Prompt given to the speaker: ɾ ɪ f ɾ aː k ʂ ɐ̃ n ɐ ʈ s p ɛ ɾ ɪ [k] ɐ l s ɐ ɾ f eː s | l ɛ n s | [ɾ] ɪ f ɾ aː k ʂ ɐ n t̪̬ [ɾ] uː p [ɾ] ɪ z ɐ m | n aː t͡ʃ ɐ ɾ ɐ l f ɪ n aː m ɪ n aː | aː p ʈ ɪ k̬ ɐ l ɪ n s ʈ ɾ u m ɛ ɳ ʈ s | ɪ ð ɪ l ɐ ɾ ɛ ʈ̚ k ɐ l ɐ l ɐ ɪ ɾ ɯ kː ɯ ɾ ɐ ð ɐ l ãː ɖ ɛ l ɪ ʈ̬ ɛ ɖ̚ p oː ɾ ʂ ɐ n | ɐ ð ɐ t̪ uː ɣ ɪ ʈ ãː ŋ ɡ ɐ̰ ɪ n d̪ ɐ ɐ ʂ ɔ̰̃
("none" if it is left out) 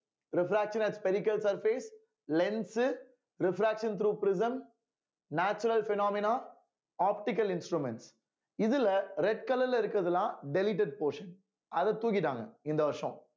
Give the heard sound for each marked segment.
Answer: k, ɾ, ɾ, ɾ

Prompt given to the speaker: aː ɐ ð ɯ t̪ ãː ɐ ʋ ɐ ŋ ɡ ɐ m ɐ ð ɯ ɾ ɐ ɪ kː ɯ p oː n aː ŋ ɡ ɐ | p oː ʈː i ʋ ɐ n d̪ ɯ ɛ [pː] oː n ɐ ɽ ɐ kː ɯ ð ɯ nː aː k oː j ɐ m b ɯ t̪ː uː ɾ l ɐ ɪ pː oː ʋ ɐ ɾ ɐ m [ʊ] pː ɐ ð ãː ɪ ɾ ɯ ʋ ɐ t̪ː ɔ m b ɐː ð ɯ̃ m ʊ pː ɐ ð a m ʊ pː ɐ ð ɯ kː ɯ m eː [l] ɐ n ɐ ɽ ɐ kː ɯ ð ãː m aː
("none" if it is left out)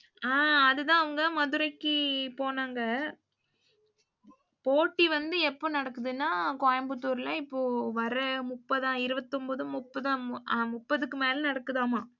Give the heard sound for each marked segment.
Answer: pː, ʊ, l

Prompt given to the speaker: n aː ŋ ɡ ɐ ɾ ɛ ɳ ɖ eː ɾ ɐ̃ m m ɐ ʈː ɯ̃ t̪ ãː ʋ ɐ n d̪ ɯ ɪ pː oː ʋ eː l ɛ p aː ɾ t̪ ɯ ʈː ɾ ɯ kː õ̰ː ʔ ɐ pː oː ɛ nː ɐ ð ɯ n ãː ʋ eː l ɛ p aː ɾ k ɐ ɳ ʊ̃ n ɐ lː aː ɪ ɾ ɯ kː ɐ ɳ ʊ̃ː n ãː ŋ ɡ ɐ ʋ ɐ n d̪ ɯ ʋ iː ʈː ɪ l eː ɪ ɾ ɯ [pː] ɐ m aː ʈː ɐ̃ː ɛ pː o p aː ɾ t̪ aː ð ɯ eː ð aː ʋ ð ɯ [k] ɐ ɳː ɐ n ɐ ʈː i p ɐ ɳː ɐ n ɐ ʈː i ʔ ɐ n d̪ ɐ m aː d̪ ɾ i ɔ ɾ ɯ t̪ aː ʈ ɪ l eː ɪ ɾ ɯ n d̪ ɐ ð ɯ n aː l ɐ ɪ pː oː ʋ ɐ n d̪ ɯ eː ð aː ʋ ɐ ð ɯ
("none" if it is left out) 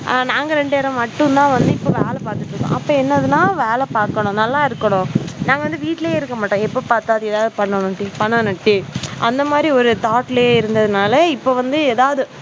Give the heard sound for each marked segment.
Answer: kː, p

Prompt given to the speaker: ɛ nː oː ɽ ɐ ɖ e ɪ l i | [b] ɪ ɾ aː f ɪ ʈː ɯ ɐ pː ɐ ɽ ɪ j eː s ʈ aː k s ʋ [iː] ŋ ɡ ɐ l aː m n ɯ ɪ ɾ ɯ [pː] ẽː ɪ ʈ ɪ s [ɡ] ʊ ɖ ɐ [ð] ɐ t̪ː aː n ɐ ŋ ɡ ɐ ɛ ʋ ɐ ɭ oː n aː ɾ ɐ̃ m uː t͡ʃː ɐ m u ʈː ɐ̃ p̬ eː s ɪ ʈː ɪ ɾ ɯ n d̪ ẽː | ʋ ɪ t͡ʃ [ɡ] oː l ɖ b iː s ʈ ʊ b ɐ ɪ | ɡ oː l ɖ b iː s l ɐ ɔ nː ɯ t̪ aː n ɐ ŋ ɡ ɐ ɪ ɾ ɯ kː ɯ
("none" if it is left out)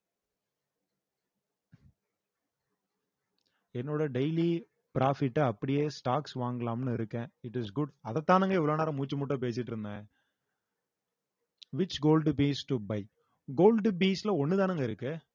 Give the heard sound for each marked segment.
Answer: p, aː, kː, ɡ, ð, ɡ

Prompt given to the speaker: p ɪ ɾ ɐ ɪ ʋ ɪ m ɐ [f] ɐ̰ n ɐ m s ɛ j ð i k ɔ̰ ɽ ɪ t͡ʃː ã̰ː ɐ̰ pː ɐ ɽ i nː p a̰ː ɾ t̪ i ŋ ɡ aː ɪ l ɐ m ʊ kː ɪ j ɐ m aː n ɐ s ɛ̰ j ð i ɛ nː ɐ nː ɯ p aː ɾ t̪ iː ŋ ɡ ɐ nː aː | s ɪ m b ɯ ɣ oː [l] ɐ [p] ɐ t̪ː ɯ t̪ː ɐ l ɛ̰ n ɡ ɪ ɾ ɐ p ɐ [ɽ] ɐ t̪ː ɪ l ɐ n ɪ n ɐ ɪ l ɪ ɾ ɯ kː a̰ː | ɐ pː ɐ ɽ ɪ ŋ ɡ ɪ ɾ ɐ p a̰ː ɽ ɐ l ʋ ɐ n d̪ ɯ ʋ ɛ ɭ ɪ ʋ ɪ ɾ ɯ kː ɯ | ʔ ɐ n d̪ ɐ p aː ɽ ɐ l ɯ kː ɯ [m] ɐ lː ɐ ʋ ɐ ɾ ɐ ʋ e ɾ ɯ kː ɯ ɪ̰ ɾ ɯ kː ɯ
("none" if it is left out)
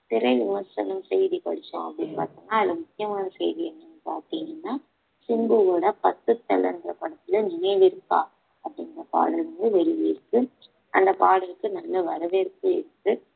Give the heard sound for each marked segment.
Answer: s, ɽ, p, ɽ, n

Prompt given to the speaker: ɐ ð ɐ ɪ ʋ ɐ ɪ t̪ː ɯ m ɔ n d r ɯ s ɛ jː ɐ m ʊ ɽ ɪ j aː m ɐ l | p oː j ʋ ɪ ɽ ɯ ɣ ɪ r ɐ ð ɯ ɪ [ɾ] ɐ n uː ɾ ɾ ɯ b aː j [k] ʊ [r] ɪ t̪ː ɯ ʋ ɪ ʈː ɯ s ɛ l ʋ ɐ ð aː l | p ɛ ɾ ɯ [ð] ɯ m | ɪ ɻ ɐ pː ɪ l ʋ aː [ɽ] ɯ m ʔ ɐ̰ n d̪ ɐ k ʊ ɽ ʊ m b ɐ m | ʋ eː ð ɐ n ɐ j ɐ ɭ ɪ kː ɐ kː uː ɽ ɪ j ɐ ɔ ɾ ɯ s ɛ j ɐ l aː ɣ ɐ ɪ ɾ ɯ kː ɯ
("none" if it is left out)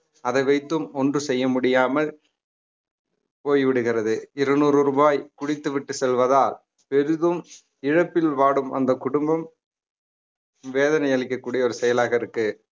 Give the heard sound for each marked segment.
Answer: ɾ, k, ɽ, ð, ɽ

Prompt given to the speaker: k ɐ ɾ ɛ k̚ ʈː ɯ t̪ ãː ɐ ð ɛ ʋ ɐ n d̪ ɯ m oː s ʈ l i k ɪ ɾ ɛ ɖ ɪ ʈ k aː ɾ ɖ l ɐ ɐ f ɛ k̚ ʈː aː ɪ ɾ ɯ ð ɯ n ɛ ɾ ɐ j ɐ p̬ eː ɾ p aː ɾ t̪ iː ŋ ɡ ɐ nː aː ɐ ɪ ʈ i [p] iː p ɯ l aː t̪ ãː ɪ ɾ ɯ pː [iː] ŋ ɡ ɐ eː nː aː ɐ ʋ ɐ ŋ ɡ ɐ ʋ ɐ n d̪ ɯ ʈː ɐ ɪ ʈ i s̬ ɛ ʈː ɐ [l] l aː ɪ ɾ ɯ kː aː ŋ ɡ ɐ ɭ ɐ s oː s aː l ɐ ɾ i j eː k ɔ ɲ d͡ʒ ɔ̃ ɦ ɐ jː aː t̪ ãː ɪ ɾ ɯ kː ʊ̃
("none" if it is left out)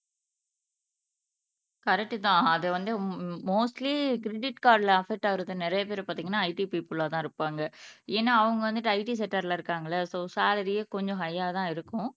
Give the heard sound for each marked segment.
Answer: p, aː, ɾ

